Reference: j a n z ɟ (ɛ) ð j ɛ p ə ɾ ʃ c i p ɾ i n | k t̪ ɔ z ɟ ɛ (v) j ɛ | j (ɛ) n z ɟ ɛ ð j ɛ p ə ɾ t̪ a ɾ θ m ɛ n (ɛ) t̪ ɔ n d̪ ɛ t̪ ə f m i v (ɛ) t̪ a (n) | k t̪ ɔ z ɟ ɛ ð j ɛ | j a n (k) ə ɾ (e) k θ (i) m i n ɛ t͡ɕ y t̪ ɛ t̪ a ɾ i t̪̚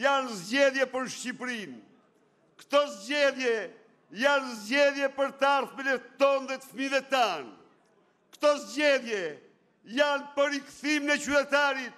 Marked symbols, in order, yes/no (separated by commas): yes, no, no, yes, yes, yes, no, no, yes